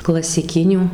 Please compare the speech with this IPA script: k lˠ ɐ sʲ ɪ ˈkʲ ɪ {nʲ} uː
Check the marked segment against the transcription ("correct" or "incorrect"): correct